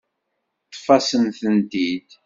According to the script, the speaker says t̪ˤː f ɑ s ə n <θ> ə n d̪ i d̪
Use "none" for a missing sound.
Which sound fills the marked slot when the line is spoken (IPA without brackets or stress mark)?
θ